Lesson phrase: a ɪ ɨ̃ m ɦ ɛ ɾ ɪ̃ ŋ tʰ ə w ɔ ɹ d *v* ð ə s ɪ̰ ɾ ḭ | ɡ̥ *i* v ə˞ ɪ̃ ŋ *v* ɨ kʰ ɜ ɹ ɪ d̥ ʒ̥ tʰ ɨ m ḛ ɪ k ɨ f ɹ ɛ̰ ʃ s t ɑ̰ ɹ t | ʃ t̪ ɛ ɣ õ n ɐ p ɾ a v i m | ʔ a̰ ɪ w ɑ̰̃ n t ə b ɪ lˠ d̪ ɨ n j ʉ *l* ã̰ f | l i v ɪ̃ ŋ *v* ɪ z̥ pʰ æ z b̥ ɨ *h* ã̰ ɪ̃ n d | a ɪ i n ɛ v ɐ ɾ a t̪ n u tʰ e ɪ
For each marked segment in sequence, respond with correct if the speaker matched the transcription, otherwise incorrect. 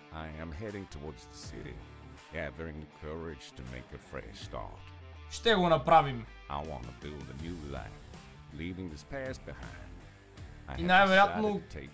incorrect: z, incorrect: æ, incorrect: ð, correct, incorrect: ð, correct

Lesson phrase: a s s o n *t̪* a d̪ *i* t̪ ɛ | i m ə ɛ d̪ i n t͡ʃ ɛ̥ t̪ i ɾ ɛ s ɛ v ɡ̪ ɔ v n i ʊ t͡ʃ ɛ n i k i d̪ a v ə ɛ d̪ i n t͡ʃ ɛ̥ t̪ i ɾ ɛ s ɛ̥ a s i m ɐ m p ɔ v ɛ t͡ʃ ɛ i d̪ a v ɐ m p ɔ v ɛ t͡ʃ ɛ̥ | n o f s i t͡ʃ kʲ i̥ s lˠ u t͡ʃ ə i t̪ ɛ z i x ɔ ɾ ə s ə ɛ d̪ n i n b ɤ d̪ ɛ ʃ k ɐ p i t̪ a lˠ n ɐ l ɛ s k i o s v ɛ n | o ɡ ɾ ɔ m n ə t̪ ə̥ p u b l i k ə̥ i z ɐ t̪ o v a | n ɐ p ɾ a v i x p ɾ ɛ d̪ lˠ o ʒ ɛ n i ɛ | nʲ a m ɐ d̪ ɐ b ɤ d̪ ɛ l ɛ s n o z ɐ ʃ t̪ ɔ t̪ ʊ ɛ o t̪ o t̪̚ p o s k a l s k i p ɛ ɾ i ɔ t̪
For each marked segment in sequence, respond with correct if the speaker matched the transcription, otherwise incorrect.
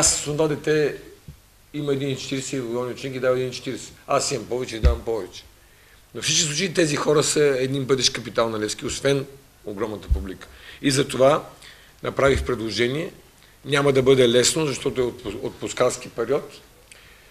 incorrect: d̪, incorrect: ɛ

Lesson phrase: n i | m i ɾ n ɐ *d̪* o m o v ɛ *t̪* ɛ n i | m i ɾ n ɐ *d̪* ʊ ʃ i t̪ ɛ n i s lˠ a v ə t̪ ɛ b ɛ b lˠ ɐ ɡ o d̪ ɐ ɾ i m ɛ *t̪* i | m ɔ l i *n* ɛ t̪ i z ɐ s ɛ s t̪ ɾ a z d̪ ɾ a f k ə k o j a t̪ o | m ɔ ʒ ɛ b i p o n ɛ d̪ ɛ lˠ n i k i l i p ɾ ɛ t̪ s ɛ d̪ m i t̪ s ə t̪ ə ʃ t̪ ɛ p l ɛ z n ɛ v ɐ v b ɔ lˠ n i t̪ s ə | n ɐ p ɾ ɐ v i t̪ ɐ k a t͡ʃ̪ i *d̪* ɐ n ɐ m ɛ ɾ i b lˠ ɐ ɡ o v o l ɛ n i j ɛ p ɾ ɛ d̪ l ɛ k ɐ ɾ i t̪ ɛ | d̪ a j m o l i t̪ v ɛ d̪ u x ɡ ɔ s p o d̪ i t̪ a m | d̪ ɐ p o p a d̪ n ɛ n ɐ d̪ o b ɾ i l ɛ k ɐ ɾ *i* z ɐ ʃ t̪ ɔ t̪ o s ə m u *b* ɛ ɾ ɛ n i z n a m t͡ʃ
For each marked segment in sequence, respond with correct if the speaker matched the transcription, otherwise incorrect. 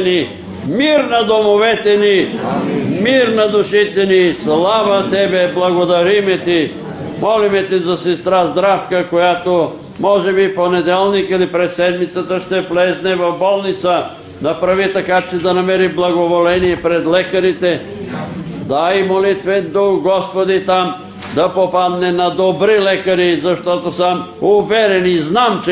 correct, correct, correct, correct, incorrect: m, correct, correct, incorrect: v

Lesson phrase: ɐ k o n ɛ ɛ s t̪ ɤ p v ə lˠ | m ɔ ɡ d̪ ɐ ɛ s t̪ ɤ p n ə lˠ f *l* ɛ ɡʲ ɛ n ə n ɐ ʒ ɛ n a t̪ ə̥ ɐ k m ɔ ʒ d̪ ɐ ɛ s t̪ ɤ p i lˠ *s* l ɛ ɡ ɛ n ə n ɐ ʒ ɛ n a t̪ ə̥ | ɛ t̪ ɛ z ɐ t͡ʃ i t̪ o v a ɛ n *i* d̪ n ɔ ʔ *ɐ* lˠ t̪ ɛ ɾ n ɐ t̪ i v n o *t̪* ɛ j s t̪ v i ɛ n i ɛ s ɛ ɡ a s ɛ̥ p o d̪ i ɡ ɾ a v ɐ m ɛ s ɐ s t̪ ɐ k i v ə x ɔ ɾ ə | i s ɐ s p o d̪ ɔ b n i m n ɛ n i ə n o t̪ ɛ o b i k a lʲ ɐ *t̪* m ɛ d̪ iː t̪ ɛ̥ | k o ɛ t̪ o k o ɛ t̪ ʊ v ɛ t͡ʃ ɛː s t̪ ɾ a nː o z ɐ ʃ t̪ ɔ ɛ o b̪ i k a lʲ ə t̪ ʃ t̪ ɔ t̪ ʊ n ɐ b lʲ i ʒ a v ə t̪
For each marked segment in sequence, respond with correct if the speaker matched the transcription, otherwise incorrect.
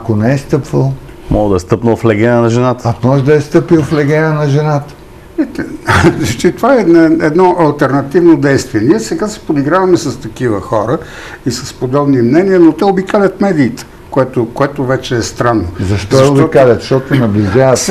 correct, incorrect: f, incorrect: ɛ, correct, incorrect: d̪, correct

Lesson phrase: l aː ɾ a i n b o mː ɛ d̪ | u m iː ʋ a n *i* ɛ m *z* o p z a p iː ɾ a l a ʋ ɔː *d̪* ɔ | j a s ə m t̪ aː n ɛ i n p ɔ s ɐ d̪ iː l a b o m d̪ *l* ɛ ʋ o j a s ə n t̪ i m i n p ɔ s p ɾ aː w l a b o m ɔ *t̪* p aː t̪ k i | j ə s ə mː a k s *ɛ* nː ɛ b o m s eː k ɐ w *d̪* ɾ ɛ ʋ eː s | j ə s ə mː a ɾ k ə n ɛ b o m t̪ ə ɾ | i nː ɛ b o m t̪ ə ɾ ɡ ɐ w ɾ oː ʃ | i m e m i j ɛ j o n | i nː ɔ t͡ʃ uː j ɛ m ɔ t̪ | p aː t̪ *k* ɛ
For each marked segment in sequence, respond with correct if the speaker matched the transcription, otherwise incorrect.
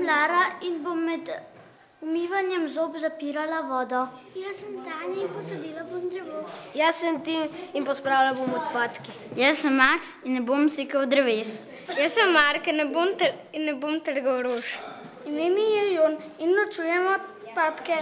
incorrect: j, correct, correct, incorrect: ɾ, correct, incorrect: i, correct, correct

